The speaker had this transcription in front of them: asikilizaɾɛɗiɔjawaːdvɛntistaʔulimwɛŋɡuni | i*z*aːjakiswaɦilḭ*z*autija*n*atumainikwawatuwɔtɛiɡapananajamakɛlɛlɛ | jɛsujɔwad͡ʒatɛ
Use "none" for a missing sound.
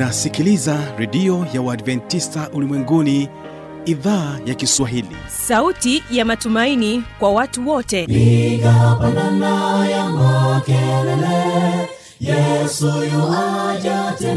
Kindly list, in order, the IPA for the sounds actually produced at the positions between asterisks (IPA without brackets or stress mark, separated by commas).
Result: ð, s, m